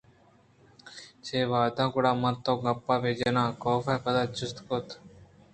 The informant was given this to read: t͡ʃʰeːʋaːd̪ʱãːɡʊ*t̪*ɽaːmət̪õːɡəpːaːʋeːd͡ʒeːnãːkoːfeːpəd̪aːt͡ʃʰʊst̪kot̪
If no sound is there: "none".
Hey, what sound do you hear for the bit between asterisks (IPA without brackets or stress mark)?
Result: none